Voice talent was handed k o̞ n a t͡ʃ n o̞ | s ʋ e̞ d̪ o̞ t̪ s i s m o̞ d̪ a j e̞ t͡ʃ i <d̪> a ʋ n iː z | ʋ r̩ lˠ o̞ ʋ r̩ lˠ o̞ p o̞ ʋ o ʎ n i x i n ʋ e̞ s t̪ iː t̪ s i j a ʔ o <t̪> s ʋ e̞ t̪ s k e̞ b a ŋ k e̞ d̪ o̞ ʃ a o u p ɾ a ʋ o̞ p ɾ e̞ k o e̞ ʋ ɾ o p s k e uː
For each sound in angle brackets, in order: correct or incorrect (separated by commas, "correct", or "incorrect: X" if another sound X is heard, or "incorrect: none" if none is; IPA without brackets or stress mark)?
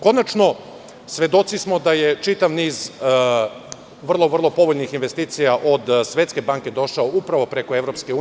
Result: incorrect: t̪, incorrect: d̪